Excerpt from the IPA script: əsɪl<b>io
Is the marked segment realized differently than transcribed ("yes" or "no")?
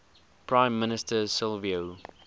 yes